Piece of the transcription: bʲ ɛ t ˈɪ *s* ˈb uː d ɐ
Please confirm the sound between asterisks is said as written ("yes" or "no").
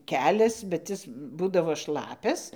yes